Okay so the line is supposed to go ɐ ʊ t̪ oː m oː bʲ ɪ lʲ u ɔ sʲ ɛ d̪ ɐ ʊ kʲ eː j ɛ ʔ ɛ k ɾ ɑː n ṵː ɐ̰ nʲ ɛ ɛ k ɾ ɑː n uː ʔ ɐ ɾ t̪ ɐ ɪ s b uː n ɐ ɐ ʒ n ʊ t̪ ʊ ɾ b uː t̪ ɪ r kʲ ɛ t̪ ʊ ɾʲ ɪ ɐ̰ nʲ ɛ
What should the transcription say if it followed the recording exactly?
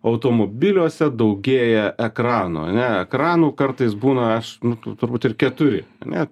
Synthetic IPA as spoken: ɐ ʊ t̪ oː m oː bʲ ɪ lʲ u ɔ sʲ ɛ d̪ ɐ ʊ ɡʲ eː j ɛ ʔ ɛ k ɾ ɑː n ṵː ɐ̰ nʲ ɛ ɛ k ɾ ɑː n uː k ɐ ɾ t̪ ɐ ɪ s b uː n ɐ ɐ ʃ n ʊ t̪ ʊ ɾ b uː t̪ ɪ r kʲ ɛ t̪ ʊ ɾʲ ɪ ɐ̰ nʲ ɛ